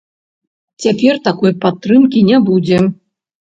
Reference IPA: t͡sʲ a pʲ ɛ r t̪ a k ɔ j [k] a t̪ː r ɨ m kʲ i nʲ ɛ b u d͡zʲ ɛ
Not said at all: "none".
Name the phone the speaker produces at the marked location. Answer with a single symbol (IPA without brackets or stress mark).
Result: p